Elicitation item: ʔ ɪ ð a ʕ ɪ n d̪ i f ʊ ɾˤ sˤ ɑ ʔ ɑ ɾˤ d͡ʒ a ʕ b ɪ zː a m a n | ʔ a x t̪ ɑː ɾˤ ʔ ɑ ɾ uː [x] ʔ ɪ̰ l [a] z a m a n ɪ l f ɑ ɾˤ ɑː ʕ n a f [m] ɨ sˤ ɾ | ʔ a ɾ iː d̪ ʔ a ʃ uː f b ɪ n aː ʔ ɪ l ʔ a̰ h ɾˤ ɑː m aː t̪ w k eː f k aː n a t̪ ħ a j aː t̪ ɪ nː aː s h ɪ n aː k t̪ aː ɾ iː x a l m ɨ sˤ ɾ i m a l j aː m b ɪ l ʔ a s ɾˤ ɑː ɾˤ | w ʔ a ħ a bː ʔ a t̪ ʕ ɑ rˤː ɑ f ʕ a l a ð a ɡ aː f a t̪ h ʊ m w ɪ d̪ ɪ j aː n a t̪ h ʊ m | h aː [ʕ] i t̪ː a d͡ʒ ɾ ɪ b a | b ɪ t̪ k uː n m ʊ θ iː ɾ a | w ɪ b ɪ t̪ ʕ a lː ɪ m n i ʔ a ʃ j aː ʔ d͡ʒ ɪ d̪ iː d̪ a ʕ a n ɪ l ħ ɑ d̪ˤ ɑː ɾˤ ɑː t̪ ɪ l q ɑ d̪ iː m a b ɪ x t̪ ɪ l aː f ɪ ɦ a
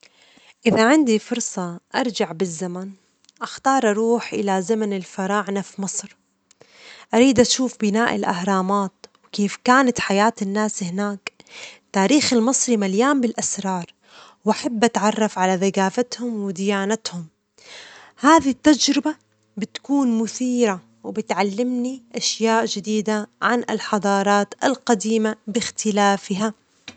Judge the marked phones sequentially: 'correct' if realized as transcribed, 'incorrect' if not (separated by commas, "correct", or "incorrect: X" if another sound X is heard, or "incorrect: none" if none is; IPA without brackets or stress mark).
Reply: incorrect: ħ, correct, correct, incorrect: ð